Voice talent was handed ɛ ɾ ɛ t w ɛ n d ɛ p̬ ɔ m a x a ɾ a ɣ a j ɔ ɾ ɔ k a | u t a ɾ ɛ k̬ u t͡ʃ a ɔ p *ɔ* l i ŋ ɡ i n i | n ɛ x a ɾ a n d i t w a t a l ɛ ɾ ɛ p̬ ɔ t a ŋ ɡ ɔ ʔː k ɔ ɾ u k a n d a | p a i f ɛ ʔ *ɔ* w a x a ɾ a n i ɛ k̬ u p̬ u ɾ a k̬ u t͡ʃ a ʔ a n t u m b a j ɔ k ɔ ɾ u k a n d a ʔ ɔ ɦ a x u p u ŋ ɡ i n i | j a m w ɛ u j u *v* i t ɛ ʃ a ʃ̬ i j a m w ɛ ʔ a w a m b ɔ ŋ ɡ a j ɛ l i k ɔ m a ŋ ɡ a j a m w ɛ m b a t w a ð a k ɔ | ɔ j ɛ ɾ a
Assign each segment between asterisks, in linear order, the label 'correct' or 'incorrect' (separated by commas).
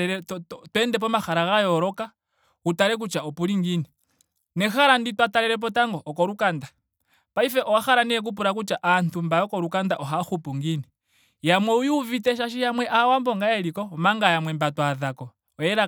incorrect, correct, correct